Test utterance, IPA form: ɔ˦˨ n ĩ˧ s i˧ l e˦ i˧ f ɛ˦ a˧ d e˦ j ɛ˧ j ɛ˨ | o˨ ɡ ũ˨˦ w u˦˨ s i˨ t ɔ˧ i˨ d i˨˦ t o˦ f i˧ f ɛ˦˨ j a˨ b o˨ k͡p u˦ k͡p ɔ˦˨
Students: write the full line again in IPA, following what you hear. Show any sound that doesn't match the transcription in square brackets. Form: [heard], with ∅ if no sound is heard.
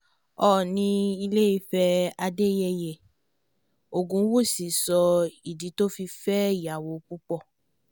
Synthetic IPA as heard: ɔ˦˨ n ĩ˧ [∅] i˧ l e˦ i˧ f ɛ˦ a˧ d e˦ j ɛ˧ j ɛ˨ | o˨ ɡ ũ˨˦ w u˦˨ s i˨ [s] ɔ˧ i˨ d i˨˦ t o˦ f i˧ f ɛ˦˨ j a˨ [w] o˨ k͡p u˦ k͡p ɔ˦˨